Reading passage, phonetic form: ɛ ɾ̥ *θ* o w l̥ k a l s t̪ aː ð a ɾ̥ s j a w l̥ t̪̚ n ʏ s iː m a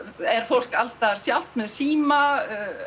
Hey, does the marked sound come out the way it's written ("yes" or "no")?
no